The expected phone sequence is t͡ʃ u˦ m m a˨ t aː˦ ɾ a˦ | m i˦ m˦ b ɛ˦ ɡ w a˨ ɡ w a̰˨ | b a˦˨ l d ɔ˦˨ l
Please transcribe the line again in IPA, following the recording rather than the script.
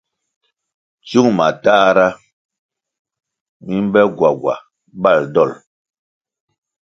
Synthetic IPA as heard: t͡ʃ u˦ ŋ m a˨ t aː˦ ɾ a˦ | m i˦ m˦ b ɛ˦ ɡ w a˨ ɡ w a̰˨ | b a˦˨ l d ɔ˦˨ l